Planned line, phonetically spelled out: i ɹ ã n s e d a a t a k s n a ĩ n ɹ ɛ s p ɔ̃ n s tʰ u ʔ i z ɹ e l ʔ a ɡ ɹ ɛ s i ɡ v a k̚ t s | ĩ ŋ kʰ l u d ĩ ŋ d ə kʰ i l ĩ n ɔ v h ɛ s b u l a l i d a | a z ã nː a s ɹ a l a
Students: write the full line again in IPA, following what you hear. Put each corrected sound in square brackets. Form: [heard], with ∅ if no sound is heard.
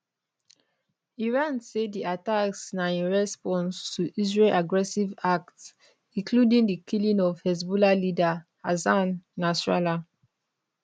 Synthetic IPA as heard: i ɹ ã n s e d [i] a t a k s n a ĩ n ɹ ɛ s p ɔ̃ n s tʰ u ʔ i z ɹ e l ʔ a ɡ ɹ ɛ s i [∅] v a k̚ t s | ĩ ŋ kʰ l u d ĩ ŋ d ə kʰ i l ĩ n ɔ v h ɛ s b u l a l i d a | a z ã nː a s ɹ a l a